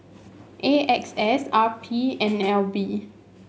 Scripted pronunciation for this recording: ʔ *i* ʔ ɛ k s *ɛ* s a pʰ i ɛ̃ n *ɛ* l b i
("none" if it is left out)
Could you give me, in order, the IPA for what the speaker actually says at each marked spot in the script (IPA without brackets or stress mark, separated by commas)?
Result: e, ɛ, ɛ